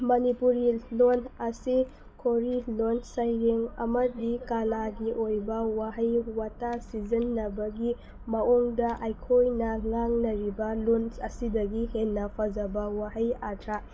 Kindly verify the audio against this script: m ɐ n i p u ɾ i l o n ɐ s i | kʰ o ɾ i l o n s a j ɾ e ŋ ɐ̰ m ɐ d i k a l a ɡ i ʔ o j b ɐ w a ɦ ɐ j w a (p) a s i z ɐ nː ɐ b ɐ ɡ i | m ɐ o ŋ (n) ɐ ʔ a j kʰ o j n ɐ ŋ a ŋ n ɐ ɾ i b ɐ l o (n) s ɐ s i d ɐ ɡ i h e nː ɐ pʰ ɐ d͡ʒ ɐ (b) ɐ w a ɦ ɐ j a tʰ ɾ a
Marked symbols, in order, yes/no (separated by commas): no, no, yes, yes